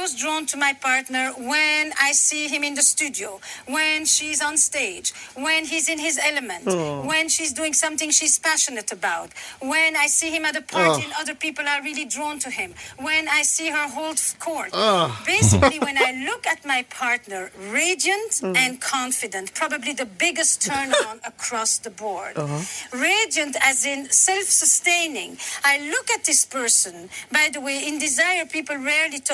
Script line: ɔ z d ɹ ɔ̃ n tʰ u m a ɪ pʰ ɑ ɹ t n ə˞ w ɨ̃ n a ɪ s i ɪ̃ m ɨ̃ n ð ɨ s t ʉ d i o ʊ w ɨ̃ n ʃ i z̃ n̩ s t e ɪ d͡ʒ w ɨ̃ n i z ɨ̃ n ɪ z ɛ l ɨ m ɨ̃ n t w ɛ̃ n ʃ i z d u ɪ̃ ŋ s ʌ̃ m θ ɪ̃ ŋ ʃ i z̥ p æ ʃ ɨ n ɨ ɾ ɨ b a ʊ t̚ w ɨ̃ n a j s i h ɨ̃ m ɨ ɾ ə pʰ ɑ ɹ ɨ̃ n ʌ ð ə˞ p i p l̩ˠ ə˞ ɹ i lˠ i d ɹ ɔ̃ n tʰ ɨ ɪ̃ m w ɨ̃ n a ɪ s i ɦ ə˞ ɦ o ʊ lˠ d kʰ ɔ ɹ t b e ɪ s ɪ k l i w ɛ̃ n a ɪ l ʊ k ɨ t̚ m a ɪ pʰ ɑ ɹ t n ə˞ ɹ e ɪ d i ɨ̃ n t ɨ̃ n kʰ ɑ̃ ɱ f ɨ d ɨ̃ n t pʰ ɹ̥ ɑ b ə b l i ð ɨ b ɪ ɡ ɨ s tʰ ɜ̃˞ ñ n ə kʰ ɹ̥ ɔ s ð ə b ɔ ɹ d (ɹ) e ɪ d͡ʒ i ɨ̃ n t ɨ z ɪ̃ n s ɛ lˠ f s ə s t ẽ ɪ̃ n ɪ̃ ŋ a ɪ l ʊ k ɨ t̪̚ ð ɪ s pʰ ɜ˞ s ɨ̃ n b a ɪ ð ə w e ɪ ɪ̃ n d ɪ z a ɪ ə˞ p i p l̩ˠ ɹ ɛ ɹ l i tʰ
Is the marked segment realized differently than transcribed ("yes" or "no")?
no